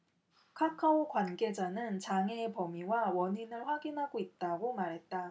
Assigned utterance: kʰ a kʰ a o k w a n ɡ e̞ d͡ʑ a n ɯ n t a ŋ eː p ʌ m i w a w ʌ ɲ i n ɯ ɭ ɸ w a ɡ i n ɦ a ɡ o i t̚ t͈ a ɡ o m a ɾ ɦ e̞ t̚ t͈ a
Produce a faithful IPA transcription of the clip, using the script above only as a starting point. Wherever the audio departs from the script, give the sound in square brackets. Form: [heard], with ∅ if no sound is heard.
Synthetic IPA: kʰ a kʰ a o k w a n ɡ e̞ d͡ʑ a n ɯ n [t͡ɕ] a ŋ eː p ʌ m i w a w ʌ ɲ i n ɯ ɭ ɸ w a ɡ i n ɦ a ɡ o i t̚ t͈ a ɡ o m a ɾ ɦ e̞ t̚ t͈ a